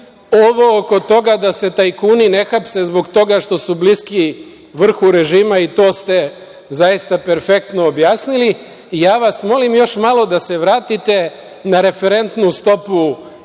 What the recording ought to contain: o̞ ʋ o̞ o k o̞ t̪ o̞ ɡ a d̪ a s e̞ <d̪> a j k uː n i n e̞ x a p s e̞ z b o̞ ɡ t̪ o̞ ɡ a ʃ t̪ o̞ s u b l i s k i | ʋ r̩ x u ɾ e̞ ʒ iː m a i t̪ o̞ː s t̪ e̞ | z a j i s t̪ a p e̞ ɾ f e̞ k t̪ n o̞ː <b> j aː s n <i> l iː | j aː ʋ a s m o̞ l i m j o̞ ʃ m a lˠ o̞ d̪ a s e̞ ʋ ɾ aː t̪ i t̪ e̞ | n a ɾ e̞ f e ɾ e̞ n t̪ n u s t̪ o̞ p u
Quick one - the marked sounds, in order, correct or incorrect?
incorrect: t̪, correct, correct

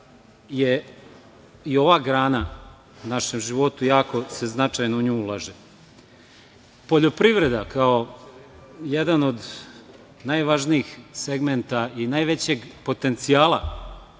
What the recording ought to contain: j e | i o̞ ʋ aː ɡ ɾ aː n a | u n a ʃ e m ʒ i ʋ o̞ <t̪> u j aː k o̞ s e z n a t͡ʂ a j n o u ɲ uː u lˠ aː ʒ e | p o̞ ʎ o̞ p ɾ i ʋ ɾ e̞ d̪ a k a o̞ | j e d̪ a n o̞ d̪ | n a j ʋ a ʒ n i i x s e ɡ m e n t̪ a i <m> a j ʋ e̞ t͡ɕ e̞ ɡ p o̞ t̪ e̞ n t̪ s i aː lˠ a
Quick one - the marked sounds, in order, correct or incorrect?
correct, incorrect: n

